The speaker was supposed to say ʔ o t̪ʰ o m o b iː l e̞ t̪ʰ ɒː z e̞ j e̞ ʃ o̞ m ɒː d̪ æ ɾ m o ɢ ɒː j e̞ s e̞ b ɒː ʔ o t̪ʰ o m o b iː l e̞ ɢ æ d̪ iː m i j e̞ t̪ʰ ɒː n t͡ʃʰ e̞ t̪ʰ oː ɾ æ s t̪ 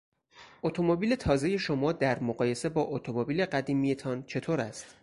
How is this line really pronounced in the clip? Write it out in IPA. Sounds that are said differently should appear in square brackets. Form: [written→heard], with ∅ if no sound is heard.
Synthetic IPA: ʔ o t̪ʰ o m o b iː l e̞ t̪ʰ ɒː z e̞ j e̞ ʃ o̞ m ɒː d̪ æ ɾ m o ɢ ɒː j e̞ s e̞ b ɒː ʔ o t̪ʰ o m o b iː l e̞ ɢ æ d̪ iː m i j e̞ t̪ʰ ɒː n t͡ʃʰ e̞ t̪ʰ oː ɾ æ s t̪